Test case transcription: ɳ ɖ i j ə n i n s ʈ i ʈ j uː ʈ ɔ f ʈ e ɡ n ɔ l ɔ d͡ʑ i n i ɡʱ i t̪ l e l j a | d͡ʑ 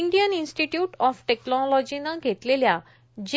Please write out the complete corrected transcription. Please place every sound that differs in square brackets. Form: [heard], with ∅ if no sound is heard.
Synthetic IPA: ɳ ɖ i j ə n i n s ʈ i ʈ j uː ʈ ɔ f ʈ e [k] n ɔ l ɔ d͡ʑ i n [a] ɡʱ [e] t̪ l e l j a | d͡ʑ